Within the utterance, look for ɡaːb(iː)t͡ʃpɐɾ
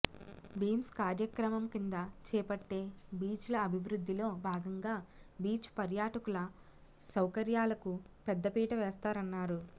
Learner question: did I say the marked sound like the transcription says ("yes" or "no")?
yes